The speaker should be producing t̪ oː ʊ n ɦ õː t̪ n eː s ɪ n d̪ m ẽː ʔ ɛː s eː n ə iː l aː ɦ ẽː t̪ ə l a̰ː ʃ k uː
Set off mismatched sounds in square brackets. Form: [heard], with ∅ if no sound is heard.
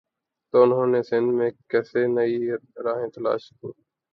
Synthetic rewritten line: t̪ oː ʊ n ɦ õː [∅] n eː s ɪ n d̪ m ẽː [k] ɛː s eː n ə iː [ɾ] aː ɦ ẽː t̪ ə l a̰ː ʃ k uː